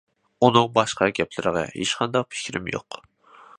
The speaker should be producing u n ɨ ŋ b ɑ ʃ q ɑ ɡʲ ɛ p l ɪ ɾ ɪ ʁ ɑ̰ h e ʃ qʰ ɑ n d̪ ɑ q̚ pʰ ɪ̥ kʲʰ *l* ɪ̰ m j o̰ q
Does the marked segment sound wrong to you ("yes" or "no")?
yes